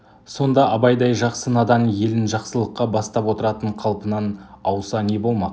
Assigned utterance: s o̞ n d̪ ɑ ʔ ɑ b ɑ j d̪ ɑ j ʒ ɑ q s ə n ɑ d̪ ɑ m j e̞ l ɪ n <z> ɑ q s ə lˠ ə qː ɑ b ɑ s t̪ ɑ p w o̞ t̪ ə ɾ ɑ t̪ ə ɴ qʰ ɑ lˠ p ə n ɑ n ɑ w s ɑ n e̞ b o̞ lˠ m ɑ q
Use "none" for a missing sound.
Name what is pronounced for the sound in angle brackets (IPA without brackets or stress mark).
ʒ